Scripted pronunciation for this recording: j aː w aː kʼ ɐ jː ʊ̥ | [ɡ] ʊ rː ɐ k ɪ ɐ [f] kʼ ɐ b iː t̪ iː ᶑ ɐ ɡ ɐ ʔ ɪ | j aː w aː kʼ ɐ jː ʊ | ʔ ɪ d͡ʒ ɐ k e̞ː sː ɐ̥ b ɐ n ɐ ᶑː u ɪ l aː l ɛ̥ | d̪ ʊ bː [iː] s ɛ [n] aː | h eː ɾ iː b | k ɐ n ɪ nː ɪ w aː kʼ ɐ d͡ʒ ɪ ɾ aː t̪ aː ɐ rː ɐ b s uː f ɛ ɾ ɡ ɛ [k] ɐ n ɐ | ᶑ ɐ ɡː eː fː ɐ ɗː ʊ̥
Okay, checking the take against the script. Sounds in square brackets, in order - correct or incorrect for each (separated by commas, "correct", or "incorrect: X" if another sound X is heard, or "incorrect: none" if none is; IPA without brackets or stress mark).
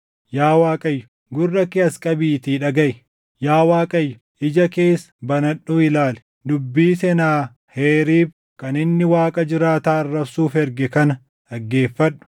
correct, incorrect: s, correct, correct, correct